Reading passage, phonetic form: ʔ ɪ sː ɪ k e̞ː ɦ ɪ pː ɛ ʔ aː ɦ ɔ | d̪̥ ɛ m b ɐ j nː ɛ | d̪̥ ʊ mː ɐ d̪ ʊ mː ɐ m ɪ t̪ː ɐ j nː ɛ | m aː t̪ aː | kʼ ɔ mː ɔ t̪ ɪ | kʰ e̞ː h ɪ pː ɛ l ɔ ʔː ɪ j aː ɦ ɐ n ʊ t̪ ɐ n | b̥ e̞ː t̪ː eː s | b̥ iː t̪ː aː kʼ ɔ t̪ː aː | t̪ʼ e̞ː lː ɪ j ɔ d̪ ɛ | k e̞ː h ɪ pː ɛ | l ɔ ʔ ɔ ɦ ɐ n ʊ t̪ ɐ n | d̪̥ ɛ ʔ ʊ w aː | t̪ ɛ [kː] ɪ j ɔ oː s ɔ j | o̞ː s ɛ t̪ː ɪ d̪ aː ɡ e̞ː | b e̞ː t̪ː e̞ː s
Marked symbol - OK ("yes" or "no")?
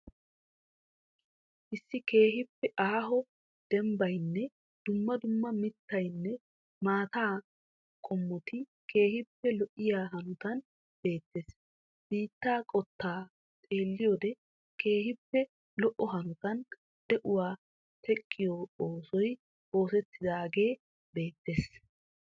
no